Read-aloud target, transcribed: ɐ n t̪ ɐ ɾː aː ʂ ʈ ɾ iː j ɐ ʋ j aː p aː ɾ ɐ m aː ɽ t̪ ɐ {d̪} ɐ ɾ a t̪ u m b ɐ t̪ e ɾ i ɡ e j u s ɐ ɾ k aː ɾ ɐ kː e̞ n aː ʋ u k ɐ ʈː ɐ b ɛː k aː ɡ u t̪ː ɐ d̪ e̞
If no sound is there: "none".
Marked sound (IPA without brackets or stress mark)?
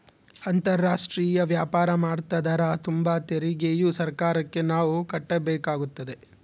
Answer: d̪